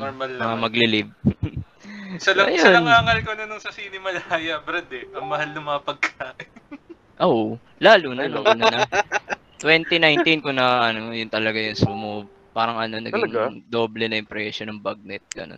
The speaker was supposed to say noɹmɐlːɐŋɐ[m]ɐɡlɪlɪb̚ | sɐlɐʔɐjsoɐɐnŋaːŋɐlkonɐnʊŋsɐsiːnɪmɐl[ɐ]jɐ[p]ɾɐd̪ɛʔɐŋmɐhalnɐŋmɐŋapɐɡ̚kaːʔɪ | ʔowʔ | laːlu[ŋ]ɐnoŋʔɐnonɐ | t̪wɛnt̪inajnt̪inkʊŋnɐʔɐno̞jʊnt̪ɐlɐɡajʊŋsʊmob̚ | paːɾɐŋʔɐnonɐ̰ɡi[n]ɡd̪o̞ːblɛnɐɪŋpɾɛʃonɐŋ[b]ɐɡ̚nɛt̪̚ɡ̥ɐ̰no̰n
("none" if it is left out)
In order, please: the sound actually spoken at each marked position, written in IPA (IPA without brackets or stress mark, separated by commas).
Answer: m, a, b, n, ŋ, b